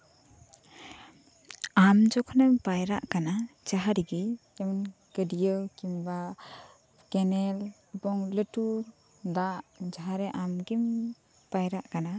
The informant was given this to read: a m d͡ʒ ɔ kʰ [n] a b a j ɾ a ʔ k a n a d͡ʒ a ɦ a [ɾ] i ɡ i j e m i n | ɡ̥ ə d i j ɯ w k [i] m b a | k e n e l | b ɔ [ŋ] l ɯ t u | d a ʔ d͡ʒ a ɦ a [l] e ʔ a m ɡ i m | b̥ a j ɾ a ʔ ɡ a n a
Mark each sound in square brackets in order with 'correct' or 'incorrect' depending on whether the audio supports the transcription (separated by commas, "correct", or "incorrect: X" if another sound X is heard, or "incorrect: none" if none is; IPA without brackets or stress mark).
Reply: correct, correct, correct, correct, incorrect: ɾ